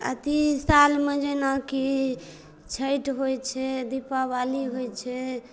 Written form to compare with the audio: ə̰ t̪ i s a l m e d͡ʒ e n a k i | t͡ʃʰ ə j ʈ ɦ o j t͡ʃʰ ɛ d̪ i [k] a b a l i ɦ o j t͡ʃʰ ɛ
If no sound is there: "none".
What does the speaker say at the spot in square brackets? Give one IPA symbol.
p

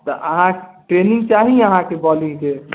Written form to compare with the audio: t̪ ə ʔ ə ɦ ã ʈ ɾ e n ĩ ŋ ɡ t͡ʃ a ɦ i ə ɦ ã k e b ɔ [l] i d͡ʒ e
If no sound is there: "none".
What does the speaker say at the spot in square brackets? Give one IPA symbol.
l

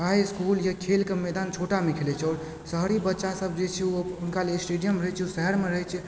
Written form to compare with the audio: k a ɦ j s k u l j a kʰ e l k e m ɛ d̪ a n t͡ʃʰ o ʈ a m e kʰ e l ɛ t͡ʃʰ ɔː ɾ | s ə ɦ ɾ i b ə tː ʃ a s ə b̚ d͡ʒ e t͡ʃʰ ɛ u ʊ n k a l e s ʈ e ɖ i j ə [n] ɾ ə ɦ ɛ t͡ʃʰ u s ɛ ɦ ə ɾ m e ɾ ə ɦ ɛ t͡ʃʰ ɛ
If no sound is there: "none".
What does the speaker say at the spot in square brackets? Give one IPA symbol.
m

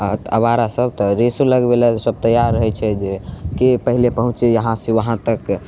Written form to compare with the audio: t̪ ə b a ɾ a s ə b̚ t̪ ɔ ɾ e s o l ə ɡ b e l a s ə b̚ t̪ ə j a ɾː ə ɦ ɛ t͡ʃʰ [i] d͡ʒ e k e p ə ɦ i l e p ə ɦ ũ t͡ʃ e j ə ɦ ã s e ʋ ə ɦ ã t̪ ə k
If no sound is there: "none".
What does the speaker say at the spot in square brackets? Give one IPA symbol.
ɛ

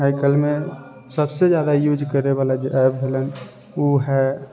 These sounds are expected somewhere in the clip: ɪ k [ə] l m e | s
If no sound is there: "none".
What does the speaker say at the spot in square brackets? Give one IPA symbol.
ə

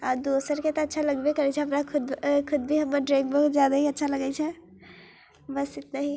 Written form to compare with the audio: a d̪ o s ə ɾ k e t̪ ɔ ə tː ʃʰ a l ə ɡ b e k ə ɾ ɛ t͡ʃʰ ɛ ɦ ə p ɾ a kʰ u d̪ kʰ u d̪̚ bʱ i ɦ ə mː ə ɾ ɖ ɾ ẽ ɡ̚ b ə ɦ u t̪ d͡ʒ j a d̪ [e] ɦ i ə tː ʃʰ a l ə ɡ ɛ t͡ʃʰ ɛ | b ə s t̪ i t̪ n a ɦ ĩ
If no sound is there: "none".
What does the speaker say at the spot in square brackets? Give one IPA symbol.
a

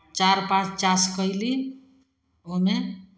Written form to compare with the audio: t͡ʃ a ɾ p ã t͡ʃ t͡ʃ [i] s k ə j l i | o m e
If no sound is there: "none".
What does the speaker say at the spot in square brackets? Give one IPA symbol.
a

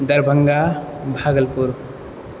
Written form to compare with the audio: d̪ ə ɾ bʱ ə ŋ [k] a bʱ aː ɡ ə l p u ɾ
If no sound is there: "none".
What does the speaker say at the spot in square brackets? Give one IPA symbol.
ɡ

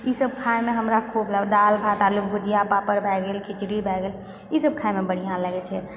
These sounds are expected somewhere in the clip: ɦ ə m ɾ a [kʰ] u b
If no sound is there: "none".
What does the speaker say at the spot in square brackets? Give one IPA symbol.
kʰ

